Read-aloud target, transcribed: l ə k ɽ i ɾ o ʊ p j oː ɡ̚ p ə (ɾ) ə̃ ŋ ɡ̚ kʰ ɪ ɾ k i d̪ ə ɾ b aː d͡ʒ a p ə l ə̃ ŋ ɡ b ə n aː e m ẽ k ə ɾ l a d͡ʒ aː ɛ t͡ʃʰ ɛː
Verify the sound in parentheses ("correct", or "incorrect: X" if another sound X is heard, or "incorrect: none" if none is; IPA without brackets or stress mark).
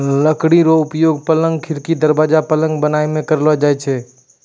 incorrect: l